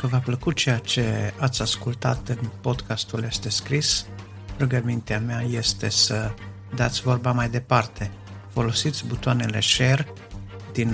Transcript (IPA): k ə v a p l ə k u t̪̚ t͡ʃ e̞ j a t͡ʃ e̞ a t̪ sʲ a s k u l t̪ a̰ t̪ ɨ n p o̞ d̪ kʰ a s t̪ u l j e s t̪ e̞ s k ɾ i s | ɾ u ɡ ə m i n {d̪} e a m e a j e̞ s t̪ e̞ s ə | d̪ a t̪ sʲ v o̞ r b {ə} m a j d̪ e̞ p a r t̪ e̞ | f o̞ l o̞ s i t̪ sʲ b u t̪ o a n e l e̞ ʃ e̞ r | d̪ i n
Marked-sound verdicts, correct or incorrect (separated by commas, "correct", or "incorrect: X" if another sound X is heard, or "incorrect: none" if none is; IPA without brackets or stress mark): incorrect: t̪, incorrect: a